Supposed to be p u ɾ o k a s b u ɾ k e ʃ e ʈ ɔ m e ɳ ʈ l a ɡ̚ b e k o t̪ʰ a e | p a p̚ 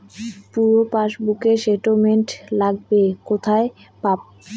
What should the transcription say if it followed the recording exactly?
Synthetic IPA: p u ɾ o p a ʃ b u k e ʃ e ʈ o m e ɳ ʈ l a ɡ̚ b e k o t̪ʰ a e | p a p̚